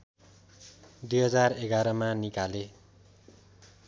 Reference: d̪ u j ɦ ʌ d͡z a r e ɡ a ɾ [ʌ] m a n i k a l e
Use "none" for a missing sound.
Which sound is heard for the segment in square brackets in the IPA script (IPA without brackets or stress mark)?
ʌ